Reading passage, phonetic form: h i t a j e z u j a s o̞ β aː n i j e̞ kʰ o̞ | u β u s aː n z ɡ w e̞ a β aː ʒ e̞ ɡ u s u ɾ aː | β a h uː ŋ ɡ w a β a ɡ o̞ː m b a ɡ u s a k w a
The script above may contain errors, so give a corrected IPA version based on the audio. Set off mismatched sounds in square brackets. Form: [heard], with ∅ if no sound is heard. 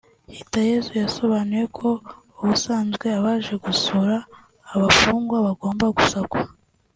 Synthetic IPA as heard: h i t a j e z u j a s o̞ β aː n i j e̞ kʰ o̞ | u β u s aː n z ɡ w e̞ a β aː ʒ e̞ ɡ u s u ɾ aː | β a [f] uː ŋ ɡ w a β a ɡ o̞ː m b a ɡ u s a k w a